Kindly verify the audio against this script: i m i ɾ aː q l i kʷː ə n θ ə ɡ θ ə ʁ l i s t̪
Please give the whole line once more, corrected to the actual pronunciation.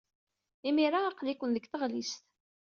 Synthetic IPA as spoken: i m i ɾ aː q l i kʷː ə n ð ə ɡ θ ə ʁ l i s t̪